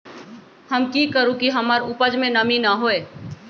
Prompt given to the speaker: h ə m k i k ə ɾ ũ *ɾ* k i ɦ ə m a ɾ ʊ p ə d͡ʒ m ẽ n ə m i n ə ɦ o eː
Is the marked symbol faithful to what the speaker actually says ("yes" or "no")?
no